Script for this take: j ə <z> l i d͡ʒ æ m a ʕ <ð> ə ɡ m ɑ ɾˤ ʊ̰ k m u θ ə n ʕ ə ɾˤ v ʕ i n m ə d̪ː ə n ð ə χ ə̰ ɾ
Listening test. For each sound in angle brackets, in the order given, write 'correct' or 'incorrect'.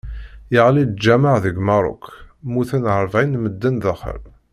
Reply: incorrect, correct

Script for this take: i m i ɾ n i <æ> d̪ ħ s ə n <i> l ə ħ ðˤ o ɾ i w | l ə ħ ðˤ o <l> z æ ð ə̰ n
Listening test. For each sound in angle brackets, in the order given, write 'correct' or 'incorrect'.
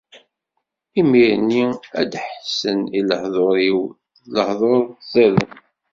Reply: correct, correct, incorrect

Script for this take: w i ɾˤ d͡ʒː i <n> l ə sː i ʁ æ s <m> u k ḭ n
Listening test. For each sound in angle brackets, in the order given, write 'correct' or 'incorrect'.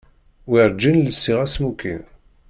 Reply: correct, correct

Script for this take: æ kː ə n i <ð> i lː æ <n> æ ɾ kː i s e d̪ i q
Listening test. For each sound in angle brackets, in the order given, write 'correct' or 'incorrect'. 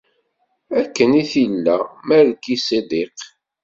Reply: incorrect, incorrect

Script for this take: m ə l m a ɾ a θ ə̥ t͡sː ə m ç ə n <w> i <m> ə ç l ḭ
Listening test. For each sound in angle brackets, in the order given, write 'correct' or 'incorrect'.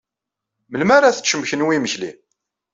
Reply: correct, correct

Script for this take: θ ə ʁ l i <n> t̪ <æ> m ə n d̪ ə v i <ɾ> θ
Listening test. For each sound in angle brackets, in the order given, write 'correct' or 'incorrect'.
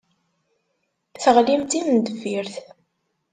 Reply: incorrect, incorrect, correct

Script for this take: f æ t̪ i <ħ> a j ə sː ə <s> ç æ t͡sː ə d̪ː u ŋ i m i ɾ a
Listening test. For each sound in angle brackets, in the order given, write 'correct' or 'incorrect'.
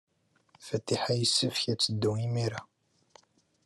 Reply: correct, incorrect

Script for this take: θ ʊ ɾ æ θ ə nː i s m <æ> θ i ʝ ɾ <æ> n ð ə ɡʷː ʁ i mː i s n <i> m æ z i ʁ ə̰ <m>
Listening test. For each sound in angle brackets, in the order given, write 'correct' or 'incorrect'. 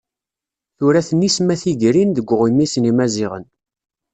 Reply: correct, incorrect, correct, incorrect

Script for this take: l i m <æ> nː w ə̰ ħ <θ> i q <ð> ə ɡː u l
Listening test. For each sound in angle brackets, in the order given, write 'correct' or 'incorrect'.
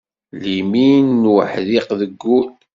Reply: incorrect, incorrect, correct

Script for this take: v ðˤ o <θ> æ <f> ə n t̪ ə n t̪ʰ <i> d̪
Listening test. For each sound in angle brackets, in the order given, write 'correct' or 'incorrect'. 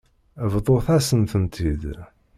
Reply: correct, incorrect, correct

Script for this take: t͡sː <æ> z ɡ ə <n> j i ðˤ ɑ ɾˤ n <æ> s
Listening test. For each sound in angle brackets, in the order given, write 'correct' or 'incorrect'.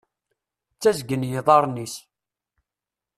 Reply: correct, correct, incorrect

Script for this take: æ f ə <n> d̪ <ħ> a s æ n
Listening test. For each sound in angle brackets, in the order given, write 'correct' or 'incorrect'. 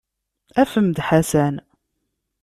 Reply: incorrect, correct

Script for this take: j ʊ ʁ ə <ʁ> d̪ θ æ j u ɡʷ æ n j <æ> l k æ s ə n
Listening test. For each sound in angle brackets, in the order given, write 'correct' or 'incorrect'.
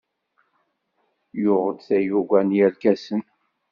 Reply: incorrect, correct

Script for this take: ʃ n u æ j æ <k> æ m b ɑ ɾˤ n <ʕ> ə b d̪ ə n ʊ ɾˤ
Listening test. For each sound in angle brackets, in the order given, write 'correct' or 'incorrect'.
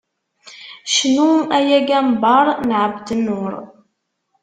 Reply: incorrect, correct

